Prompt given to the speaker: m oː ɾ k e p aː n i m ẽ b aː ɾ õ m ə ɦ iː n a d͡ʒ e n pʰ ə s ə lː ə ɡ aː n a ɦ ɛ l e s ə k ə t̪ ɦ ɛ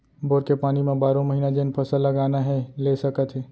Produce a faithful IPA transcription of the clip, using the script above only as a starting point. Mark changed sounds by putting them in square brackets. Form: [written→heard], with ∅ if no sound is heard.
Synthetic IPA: [m→b] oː ɾ k e p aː n i m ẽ b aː ɾ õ m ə ɦ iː n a d͡ʒ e n pʰ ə s ə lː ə ɡ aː n a ɦ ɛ l e s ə k ə t̪ ɦ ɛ